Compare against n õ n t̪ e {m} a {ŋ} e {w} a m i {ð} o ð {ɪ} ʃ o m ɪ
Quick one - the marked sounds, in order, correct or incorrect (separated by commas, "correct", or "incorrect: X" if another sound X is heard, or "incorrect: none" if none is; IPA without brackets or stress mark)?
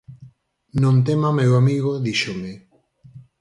correct, incorrect: m, correct, incorrect: ɣ, incorrect: i